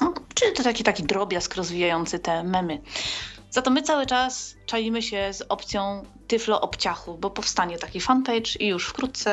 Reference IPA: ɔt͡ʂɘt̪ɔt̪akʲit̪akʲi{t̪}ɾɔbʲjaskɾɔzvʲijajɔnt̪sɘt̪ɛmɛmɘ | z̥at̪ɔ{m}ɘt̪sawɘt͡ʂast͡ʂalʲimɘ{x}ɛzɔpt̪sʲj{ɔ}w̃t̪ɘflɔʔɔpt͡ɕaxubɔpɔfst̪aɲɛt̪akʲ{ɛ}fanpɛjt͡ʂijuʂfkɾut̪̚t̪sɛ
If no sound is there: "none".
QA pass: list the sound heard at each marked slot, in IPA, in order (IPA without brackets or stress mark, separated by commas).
d̪, m, ɕ, ɔ̃, i